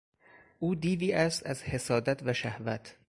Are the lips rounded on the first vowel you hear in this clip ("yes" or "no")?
yes